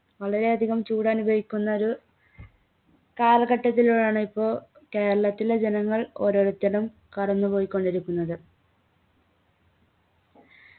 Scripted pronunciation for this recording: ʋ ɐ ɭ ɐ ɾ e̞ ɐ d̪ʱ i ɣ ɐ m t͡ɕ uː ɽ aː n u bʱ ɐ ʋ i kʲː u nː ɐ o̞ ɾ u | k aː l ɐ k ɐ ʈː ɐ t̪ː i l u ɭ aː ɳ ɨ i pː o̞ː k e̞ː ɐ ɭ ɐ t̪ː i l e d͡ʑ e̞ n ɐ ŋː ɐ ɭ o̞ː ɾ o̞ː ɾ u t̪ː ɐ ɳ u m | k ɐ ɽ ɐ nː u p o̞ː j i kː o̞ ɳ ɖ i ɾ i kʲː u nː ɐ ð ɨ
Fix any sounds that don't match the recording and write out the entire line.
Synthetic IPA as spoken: ʋ ɐ ɭ ɐ ɾ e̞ ɐ d̪ʱ i ɣ ɐ m t͡ɕ uː ɽ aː n u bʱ ɐ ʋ i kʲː u nː ɐ o̞ ɾ u | k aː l ɐ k ɐ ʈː ɐ t̪ː i l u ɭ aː ɳ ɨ i pː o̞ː k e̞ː ɐ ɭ ɐ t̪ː i l e d͡ʑ e̞ n ɐ ŋː ɐ ɭ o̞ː ɾ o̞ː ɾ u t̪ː ɐ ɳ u m | k ɐ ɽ ɐ nː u p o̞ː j i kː o̞ ɳ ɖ i ɾ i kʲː u nː ɐ ð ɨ

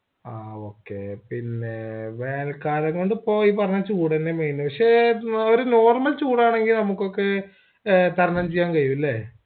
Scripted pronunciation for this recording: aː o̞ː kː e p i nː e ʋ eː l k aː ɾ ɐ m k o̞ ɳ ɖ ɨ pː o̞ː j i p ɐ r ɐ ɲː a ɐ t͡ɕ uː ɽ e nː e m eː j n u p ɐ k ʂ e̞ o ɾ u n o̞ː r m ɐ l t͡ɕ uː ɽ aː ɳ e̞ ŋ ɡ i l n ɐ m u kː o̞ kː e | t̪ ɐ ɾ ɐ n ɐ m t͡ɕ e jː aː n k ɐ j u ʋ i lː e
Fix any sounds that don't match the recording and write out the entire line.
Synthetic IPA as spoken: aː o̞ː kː e p i nː e ʋ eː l k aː ɾ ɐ ŋ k o̞ ɳ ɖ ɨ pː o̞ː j i p ɐ r ɐ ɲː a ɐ t͡ɕ uː ɽ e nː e m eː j n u p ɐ k ʂ e̞ o ɾ u n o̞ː r m ɐ l t͡ɕ uː ɽ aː ɳ e̞ ŋ ɡ i l n ɐ m u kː o̞ kː e | t̪ ɐ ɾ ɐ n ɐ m t͡ɕ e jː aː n k ɐ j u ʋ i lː e

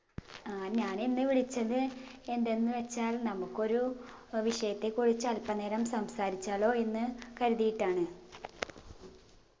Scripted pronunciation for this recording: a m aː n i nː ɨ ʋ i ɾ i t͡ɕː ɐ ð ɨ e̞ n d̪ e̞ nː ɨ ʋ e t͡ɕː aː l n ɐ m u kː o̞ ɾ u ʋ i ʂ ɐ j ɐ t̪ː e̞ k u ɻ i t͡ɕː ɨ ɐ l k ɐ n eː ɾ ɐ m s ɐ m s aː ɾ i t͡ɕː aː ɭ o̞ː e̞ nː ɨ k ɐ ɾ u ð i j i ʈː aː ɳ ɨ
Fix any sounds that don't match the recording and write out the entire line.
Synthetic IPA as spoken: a ɲ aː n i nː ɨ ʋ i ɭ i t͡ɕː ɐ ð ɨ e̞ n d̪ e̞ nː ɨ ʋ e t͡ɕː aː l n ɐ m u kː o̞ ɾ u ʋ i ʂ ɐ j ɐ t̪ː e̞ k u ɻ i t͡ɕː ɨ ɐ l p ɐ n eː ɾ ɐ m s ɐ m s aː ɾ i t͡ɕː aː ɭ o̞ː e̞ nː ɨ k ɐ ɾ u ð i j i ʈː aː ɳ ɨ

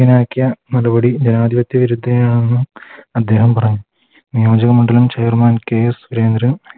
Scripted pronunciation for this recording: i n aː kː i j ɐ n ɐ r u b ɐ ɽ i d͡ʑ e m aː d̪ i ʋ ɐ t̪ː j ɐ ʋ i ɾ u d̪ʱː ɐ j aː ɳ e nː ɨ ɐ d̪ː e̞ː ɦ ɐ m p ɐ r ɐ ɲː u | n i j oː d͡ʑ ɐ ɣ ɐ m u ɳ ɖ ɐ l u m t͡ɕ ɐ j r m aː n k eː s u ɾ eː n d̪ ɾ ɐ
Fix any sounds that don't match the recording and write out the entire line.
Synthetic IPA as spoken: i n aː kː i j ɐ n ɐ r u b ɐ ɽ i d͡ʑ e n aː d̪ i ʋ ɐ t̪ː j ɐ ʋ i ɾ u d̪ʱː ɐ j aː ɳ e nː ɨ ɐ d̪ː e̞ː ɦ ɐ m p ɐ r ɐ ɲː u | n i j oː d͡ʑ ɐ ɣ ɐ m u ɳ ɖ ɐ l u m t͡ɕ ɐ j r m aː n k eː s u ɾ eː n d̪ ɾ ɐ

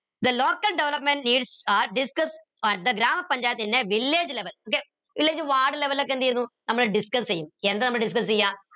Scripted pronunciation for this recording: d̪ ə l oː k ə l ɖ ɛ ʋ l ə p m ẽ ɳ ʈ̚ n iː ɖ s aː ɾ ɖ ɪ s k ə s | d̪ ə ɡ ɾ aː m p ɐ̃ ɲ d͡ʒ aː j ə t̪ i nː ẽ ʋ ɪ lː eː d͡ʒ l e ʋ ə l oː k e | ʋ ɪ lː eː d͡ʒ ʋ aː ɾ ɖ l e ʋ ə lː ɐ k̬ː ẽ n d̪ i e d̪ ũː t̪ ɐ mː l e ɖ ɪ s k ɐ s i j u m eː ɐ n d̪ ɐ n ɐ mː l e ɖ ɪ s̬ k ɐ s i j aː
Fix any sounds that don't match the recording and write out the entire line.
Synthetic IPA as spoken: d̪ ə l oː k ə l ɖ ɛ ʋ l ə p m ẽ ɳ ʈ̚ n iː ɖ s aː ɾ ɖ ɪ s k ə s | d̪ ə ɡ ɾ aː m p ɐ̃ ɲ d͡ʒ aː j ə t̪ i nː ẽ ʋ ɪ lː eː d͡ʒ l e ʋ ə l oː k e | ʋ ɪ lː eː d͡ʒ ʋ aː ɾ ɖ l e ʋ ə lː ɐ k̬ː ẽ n d̪ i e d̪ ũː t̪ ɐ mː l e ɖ ɪ s k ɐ s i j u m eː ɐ n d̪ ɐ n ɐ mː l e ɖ ɪ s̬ k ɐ s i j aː

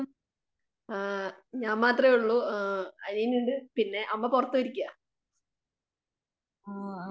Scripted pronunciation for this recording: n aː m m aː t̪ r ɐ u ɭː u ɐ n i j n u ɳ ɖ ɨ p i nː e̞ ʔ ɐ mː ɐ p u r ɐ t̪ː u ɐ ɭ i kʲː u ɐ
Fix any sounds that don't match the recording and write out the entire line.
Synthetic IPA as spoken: ɲ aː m m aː t̪ r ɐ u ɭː u ɐ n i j n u ɳ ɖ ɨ p i nː e̞ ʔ ɐ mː ɐ p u r ɐ t̪ː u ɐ ɾ i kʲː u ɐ

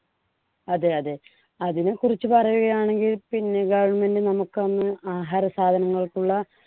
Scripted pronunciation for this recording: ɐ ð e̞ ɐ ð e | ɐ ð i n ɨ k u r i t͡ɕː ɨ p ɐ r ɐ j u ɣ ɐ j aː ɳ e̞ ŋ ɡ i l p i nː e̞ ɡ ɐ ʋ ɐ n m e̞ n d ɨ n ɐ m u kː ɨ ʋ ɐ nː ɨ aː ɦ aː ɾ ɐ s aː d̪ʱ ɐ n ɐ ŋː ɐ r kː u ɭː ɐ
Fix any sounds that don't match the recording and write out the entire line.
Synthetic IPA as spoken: ɐ ð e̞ ɐ ð e | ɐ ð i n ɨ k u r i t͡ɕː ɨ p ɐ r ɐ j u ɣ ɐ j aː ɳ e̞ ŋ ɡ i l p i nː e̞ ɡ ɐ ʋ ɐ ɳ m e̞ n d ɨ n ɐ m u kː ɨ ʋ ɐ nː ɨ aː ɦ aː ɾ ɐ s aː d̪ʱ ɐ n ɐ ŋː ɐ ɭ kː u ɭː ɐ

